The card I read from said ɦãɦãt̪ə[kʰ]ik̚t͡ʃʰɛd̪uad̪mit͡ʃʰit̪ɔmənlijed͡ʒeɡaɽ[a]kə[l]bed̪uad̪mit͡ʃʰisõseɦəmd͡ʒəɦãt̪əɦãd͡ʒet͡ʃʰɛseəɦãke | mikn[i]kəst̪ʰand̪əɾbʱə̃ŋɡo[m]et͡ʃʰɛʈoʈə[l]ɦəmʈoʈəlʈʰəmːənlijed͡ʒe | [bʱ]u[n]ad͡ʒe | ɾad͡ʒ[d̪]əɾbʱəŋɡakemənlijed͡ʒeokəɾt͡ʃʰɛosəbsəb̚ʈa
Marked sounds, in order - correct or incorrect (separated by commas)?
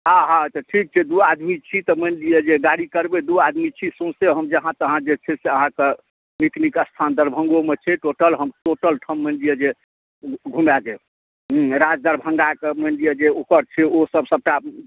incorrect, incorrect, incorrect, correct, correct, correct, incorrect, incorrect, correct